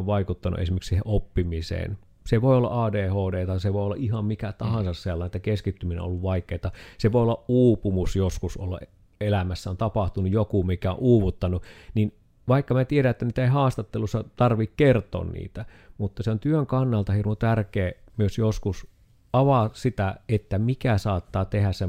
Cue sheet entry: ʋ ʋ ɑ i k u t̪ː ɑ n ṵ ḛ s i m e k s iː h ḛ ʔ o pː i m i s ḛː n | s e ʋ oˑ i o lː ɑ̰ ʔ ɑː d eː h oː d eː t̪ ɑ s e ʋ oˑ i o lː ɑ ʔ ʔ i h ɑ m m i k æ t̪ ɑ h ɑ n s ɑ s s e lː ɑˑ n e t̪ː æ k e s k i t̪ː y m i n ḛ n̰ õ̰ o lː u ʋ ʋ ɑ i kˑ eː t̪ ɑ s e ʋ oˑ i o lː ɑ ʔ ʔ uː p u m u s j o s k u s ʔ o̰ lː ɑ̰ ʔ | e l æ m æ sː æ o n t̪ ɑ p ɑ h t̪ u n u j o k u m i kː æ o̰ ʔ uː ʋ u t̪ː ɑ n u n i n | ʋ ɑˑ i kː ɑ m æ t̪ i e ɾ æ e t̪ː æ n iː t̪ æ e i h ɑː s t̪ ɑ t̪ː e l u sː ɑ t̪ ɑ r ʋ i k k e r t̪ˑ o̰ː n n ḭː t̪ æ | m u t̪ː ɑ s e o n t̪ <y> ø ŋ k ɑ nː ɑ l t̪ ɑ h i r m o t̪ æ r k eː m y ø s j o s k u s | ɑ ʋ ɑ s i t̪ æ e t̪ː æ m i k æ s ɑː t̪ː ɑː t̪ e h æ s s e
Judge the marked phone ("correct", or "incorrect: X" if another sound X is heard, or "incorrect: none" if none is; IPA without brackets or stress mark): correct